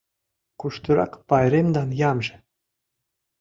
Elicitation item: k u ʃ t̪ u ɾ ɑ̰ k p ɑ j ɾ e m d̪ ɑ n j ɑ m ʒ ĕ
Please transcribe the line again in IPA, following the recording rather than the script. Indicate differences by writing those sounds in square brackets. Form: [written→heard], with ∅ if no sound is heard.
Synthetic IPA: k u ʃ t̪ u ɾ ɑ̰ k p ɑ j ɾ e m d̪ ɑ n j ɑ m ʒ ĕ